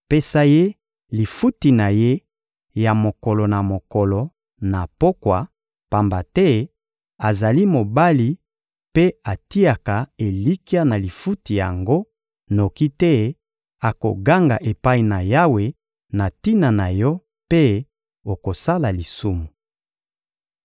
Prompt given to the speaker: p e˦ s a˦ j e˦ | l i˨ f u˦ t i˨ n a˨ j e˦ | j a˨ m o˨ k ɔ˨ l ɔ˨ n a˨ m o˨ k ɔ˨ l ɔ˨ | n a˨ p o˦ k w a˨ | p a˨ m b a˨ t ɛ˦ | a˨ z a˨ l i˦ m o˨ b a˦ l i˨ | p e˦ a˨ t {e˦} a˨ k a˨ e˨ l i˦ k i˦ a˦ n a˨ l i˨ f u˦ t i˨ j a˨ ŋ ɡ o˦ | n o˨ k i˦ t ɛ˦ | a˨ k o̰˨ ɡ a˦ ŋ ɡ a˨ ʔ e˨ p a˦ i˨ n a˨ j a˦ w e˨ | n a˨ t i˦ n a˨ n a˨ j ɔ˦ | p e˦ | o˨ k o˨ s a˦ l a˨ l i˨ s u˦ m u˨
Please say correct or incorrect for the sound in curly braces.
incorrect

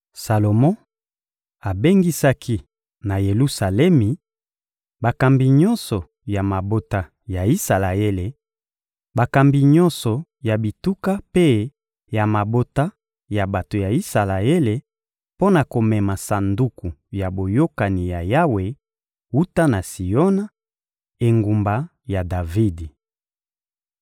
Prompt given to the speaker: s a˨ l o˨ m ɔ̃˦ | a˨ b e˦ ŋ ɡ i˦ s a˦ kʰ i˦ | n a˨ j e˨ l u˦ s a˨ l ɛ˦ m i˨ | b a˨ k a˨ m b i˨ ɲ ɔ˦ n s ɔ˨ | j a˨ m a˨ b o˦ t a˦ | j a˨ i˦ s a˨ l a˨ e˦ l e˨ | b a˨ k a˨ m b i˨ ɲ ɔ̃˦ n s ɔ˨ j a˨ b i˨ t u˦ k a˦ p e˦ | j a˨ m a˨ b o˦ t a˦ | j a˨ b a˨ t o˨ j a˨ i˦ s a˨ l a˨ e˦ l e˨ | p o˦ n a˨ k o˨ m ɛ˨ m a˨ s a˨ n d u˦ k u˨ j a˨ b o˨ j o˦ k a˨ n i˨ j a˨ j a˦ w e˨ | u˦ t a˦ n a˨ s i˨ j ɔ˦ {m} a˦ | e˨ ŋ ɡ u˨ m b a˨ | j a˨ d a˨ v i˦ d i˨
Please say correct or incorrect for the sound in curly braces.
incorrect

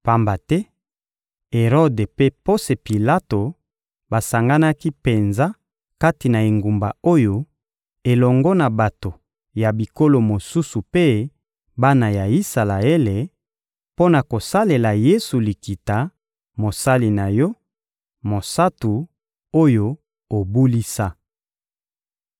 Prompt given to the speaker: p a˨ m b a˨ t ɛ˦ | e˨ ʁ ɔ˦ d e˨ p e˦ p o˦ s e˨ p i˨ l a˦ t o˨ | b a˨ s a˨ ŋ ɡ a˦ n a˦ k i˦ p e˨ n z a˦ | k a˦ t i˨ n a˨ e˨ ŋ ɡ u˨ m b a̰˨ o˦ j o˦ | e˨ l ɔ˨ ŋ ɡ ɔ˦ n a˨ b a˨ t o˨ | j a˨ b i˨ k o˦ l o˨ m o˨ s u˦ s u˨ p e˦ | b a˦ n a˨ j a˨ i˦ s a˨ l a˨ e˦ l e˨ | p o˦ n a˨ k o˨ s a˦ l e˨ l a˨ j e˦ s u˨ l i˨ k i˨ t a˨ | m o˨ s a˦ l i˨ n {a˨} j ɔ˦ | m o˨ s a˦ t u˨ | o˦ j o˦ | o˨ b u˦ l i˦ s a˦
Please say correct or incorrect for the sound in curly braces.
correct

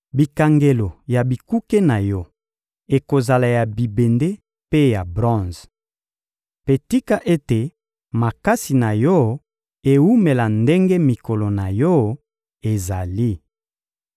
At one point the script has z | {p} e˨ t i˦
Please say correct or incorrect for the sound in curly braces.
correct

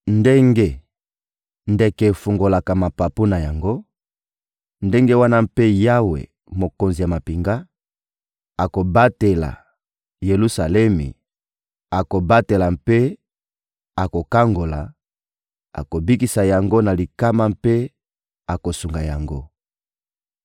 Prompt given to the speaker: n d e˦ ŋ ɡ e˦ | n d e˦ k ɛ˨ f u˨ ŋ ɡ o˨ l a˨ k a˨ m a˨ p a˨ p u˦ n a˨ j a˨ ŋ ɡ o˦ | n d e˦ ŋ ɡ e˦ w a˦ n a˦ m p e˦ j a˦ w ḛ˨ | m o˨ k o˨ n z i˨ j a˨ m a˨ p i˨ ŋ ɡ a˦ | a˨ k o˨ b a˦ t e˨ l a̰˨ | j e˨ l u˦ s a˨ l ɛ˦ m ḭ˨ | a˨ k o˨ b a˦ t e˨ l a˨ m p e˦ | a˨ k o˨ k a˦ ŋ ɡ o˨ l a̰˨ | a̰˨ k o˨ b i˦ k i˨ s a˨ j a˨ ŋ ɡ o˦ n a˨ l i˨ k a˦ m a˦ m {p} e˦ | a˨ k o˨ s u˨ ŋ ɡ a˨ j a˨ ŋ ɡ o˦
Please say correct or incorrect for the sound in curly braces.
correct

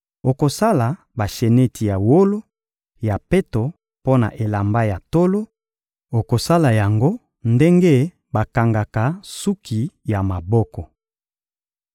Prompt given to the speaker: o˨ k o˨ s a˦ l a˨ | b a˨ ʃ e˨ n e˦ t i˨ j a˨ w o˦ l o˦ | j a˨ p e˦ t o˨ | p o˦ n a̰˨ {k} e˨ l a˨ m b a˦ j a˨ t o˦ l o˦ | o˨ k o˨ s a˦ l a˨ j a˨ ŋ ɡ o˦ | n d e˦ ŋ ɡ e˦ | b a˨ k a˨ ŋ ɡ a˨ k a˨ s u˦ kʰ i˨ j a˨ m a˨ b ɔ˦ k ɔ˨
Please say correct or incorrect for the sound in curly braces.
incorrect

